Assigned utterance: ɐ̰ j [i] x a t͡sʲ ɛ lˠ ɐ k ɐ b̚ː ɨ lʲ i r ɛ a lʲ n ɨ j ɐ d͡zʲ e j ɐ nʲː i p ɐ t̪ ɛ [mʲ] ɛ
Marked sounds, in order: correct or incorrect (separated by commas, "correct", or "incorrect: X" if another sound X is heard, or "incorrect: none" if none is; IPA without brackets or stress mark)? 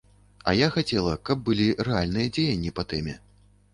incorrect: a, correct